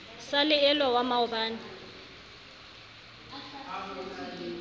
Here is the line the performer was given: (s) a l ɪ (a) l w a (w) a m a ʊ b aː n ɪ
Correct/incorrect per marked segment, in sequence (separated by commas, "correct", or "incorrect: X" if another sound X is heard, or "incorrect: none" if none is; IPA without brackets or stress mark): correct, incorrect: ɛ, correct